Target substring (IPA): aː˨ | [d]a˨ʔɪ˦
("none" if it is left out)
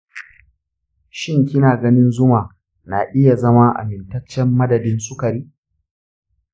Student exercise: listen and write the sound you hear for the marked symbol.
n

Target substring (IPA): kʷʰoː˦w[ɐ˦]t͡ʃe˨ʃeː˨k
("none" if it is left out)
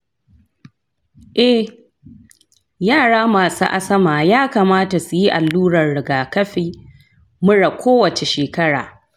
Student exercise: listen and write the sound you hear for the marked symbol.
ɐ˨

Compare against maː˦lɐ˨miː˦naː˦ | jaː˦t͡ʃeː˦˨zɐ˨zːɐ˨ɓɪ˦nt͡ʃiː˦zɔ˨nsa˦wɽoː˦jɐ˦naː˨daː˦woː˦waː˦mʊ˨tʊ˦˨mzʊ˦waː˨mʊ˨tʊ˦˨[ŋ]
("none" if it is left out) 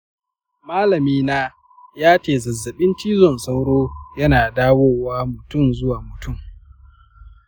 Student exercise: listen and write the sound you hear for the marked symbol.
m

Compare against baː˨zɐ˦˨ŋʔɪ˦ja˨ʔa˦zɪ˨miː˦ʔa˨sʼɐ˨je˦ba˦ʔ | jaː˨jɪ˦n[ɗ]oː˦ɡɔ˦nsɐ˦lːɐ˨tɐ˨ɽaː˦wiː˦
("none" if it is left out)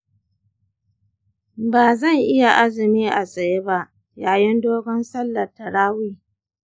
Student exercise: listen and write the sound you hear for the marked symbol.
d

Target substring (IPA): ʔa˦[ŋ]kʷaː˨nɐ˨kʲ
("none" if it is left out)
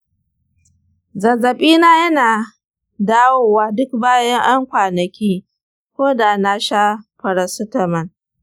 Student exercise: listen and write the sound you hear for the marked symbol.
ŋ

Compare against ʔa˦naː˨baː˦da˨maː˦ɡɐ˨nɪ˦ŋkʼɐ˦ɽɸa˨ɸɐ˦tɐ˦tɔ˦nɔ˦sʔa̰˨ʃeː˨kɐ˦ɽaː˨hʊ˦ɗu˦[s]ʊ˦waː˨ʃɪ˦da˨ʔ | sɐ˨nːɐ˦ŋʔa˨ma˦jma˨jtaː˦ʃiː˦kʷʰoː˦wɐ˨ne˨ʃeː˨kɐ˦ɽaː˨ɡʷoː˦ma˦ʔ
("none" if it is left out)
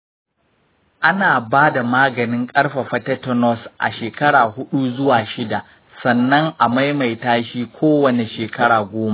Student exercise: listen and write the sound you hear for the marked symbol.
z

